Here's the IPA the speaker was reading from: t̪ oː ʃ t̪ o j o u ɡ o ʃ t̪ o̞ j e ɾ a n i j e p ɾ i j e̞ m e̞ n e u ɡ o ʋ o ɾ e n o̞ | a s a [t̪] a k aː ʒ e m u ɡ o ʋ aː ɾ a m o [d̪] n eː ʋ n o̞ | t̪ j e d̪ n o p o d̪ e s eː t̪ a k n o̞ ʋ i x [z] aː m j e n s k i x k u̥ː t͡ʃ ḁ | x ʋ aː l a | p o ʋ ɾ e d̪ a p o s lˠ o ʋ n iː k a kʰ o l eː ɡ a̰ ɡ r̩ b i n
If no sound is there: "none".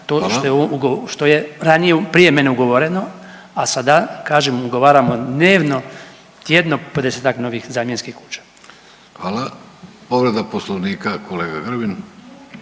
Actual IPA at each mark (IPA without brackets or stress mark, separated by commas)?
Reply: d̪, d̪, z